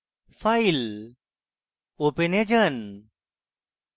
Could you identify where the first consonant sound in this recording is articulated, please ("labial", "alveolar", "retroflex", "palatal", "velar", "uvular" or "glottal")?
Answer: labial